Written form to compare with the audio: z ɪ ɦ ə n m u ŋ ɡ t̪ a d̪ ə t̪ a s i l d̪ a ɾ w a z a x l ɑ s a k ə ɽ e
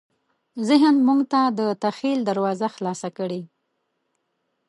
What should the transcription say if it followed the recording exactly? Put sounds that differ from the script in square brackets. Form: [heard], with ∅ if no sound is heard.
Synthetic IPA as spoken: z ɪ ɦ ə n m u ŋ ɡ t̪ a d̪ ə t̪ a [x] i l d̪ a ɾ w [ɑ] z a x l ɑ s a k ə ɽ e